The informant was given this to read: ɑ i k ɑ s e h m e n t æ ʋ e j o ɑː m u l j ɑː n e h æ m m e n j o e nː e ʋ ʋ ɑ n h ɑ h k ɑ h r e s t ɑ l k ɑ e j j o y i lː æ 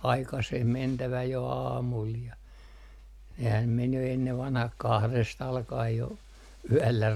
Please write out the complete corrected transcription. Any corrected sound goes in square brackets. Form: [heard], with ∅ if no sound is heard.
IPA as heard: ɑ i k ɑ s e h m e n t æ ʋ [æ] j o ɑː m u l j [ɑ] n e h æ m m e n j o e nː e ʋ ʋ ɑ n h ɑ h k ɑ h r e s t ɑ l k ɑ e j j o y [æ] lː æ

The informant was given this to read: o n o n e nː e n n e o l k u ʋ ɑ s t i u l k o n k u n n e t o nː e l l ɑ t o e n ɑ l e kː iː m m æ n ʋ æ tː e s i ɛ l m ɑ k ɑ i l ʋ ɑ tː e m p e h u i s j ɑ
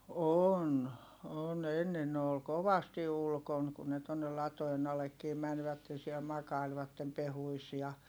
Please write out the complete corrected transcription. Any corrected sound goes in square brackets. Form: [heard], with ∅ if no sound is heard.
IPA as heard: o n o n e nː e n n e o l k [o] ʋ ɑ s t i u l k o n k u n n e t o nː e l l ɑ t o e n ɑ l e kː iː m m æ n ʋ æ tː e s i ɛ l m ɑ k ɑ i l ʋ ɑ tː e m p e h u i s j ɑ

